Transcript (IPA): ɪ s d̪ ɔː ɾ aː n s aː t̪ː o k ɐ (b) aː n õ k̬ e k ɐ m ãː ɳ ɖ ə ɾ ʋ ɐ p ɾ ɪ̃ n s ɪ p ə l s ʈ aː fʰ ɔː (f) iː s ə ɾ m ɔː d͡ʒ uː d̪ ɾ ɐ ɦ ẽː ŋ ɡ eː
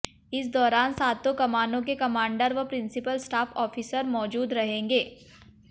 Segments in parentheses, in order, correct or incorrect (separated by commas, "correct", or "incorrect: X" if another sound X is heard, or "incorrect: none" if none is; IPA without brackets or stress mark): incorrect: m, correct